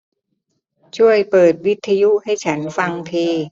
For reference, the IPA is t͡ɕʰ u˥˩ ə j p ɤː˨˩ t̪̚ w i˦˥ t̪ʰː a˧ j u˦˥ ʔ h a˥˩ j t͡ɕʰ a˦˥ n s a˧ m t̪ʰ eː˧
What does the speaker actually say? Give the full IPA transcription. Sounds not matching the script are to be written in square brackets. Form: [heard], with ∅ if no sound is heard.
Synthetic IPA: t͡ɕʰ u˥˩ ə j p ɤː˨˩ t̪̚ w i˦˥ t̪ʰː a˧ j u˦˥ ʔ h a˥˩ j t͡ɕʰ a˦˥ n [f] a˧ [ŋ] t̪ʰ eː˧